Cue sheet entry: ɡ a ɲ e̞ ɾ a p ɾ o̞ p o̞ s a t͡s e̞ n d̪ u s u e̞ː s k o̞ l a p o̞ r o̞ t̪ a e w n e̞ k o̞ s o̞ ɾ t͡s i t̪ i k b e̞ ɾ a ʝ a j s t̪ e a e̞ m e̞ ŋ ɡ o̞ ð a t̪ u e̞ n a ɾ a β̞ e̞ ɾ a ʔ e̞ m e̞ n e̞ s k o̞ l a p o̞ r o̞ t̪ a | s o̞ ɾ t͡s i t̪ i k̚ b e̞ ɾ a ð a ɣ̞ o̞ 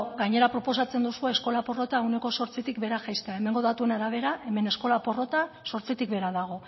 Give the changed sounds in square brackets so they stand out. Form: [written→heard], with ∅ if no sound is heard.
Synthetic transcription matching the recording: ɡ a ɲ e̞ ɾ a p ɾ o̞ p o̞ s a t͡s e̞ n d̪ u s u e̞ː s k o̞ l a p o̞ r o̞ t̪ a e w n e̞ k o̞ s o̞ ɾ t͡s i t̪ i k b e̞ ɾ a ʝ a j s t̪ e a e̞ m e̞ ŋ ɡ o̞ ð a t̪ u e̞ n a ɾ a β̞ e̞ ɾ a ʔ e̞ m e̞ n e̞ s k o̞ l a p o̞ r o̞ t̪ a | s o̞ ɾ t͡s i t̪ i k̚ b e̞ ɾ a ð a ɣ̞ o̞